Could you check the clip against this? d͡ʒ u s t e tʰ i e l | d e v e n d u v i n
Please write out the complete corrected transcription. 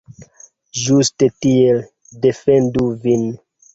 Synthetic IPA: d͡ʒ u s t e t i e l | d e f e n d u v i n